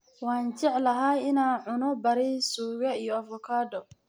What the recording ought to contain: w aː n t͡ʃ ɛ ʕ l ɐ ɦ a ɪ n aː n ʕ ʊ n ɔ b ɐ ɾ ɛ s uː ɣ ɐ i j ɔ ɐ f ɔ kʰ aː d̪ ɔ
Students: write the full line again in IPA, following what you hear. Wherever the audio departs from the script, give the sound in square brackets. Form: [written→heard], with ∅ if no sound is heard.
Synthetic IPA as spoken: w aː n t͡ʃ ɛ ʕ l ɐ ɦ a ɪ n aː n ʕ ʊ n ɔ b ɐ ɾ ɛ s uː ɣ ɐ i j ɔ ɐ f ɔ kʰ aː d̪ ɔ